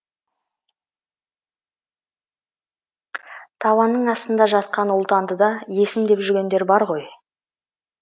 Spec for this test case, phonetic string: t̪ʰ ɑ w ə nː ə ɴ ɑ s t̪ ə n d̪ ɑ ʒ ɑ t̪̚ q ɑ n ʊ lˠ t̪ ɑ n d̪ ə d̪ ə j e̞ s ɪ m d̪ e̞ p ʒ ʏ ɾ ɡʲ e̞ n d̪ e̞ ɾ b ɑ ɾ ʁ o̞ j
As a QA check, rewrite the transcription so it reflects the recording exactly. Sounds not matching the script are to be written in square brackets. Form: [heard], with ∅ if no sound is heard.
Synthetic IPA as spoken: t̪ʰ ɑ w [ɑ] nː ə ɴ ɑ s t̪ ə n d̪ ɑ ʒ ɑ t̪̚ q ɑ n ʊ lˠ t̪ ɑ n d̪ ə d̪ [ɑ] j e̞ s ɪ m d̪ e̞ p ʒ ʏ ɾ ɡʲ e̞ n d̪ e̞ ɾ b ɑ ɾ ʁ o̞ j

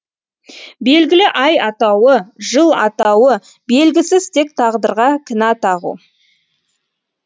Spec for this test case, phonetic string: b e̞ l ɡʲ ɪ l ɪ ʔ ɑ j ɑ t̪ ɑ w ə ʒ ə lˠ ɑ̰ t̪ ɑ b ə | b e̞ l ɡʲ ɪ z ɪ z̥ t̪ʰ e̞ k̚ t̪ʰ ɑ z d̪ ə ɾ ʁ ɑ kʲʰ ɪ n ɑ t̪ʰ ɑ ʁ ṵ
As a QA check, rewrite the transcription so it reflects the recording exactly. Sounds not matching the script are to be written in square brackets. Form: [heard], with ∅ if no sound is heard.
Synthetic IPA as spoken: b e̞ l ɡʲ ɪ l ɪ ʔ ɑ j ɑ t̪ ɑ w ə ʒ ə lˠ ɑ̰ t̪ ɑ [w] ə | b e̞ l ɡʲ ɪ [s] ɪ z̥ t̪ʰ e̞ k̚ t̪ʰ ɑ [ʁ] d̪ ə ɾ ʁ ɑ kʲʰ ɪ n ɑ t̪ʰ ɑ ʁ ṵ

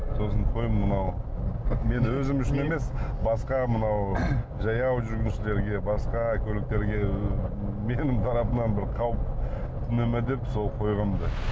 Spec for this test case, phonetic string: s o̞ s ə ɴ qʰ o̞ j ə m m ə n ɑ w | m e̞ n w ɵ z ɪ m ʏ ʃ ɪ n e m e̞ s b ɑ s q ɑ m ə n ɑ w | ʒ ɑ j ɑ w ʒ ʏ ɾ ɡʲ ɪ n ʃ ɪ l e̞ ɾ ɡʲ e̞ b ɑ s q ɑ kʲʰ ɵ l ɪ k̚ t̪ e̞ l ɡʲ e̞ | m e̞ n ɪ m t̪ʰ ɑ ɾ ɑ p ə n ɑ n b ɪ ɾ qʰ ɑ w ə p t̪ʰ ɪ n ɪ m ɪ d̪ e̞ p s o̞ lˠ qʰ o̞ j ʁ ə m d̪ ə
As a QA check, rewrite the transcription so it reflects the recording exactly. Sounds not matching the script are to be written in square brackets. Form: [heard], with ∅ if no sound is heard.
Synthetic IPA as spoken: s o̞ s ə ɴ qʰ o̞ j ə m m ə n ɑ w | m e̞ n w ɵ z ɪ m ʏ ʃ ɪ n e m e̞ s b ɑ s q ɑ m ə n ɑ w | ʒ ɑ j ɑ w ʒ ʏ ɾ ɡʲ ɪ n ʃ ɪ l e̞ ɾ ɡʲ e̞ b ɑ s q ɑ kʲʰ ɵ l ɪ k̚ t̪ e̞ [ɾ] ɡʲ e̞ | m e̞ n ɪ m t̪ʰ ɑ ɾ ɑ p ə n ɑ n b ɪ ɾ qʰ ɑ w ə p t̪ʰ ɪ n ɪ m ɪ d̪ e̞ p s o̞ lˠ qʰ o̞ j ʁ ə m d̪ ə

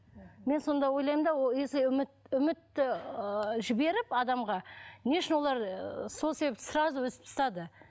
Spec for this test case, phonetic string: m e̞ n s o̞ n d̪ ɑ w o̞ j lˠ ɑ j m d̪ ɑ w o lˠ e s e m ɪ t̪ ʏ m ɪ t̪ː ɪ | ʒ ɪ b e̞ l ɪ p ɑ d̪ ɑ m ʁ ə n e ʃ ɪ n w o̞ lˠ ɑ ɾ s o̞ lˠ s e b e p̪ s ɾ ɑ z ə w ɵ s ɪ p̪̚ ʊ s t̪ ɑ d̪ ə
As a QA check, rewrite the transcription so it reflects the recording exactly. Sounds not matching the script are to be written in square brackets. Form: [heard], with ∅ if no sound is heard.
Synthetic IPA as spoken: m e̞ n s o̞ n d̪ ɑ w o̞ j lˠ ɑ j m d̪ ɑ w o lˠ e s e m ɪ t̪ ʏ m ɪ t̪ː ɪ | ʒ ɪ b e̞ [ɾ] ɪ p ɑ d̪ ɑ m ʁ [ɑ] n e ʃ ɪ n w o̞ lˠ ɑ ɾ s o̞ lˠ s e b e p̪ s ɾ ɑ z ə w ɵ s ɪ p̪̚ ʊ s t̪ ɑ d̪ ə

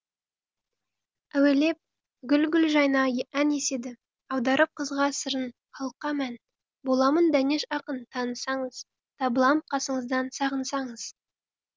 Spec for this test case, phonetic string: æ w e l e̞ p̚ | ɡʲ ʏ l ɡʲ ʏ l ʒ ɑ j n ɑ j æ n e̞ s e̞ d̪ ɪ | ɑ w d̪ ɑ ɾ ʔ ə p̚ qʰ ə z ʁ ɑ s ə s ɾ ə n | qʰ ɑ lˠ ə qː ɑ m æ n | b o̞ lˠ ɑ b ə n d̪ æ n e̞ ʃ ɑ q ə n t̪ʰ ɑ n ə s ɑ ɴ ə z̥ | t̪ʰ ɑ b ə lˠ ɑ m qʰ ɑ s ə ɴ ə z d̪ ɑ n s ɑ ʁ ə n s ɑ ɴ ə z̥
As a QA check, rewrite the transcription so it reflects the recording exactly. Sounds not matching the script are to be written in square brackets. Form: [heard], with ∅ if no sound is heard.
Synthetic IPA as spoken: æ w e l e̞ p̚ | ɡʲ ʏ l ɡʲ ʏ l ʒ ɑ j n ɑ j æ n e̞ s e̞ d̪ ɪ | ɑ w d̪ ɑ ɾ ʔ ə p̚ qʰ ə z ʁ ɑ s ə [∅] ɾ ə n | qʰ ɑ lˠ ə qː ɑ m æ n | b o̞ lˠ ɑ [m] ə n d̪ æ n e̞ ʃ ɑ q ə n t̪ʰ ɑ n ə s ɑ ɴ ə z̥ | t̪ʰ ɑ b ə lˠ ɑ m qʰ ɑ s ə ɴ ə z d̪ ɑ n s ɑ ʁ ə n s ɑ ɴ ə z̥

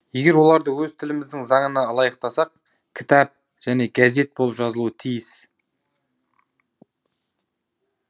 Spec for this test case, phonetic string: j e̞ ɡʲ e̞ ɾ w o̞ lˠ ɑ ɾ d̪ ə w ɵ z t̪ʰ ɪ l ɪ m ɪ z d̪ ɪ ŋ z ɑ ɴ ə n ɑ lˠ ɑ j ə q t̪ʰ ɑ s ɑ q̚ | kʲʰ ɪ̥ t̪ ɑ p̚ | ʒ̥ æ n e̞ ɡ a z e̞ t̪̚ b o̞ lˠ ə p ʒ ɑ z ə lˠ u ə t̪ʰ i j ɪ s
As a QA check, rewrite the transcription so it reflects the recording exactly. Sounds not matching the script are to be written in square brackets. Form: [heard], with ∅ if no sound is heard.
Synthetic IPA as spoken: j e̞ ɡʲ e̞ ɾ w o̞ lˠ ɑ ɾ d̪ ə w ɵ z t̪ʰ ɪ l ɪ m ɪ z d̪ ɪ ŋ z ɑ ɴ ə n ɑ lˠ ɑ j ə q [t̪] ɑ s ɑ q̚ | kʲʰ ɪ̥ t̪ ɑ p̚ | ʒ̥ æ n e̞ ɡ a z e̞ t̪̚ b o̞ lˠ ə p ʒ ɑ z ə lˠ u ə t̪ʰ i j ɪ s

